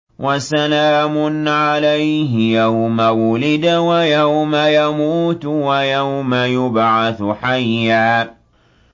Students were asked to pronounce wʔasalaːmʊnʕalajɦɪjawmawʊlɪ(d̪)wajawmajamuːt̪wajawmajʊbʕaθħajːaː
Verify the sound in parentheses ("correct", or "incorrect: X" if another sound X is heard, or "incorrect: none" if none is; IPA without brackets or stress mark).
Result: correct